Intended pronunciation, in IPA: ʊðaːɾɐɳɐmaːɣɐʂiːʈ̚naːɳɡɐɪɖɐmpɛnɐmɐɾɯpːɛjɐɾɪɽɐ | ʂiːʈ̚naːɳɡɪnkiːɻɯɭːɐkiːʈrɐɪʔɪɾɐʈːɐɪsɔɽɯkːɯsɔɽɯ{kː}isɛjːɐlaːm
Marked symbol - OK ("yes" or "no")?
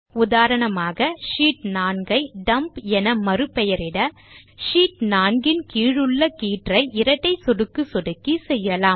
yes